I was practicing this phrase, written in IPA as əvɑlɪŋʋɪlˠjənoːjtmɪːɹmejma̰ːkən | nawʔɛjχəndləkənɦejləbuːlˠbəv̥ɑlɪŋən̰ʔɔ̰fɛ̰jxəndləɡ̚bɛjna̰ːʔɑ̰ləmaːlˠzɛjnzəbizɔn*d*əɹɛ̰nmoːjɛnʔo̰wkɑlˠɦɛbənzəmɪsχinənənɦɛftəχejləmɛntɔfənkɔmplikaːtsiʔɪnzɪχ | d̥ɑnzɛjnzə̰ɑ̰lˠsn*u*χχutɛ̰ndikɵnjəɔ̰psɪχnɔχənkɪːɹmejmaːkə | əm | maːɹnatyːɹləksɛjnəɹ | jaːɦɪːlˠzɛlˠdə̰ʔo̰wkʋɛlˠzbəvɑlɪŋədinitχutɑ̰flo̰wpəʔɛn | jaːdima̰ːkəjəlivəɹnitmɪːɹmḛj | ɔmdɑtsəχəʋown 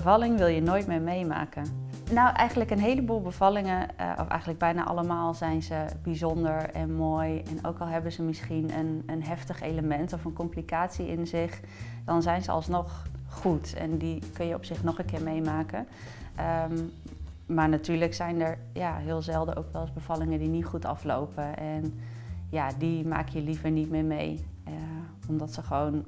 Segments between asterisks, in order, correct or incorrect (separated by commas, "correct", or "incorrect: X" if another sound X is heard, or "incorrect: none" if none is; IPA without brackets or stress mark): correct, incorrect: ɔ